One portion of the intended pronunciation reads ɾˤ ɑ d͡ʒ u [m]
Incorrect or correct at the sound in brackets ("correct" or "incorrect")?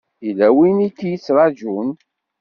incorrect